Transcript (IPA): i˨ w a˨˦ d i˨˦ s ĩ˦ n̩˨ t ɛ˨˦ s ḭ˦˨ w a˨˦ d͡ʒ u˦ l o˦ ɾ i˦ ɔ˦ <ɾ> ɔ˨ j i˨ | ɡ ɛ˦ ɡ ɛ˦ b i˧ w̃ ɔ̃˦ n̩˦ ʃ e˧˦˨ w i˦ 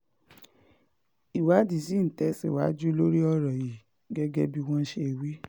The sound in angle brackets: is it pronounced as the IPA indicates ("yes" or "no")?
yes